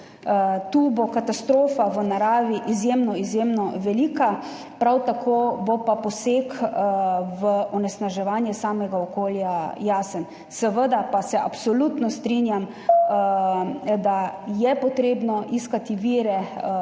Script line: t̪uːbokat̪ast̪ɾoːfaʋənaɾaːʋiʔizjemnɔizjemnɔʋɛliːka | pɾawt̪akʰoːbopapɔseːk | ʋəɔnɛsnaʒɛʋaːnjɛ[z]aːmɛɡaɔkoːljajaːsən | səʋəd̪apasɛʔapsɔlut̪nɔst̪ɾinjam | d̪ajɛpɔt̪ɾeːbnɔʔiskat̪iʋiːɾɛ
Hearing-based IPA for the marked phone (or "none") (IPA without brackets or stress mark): s